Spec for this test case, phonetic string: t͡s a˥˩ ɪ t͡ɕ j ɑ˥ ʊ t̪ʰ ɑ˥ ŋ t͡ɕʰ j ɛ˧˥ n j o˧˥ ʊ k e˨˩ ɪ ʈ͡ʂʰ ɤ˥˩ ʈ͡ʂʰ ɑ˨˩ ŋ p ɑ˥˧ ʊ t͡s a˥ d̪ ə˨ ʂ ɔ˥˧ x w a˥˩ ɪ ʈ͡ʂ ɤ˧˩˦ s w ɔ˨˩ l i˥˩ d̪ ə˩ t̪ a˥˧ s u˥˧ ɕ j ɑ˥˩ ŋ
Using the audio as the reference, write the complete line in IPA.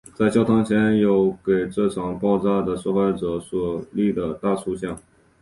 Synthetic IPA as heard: t͡s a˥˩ ɪ t͡ɕ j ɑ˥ ʊ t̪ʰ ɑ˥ ŋ t͡ɕʰ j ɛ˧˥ n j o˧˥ ʊ k e˨˩ ɪ ʈ͡ʂ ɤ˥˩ ʈ͡ʂʰ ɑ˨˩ ŋ p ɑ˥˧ ʊ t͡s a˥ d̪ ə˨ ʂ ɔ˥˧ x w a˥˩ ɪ ʈ͡ʂ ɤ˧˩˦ s w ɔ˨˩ l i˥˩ d̪ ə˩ t̪ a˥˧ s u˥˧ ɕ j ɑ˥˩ ŋ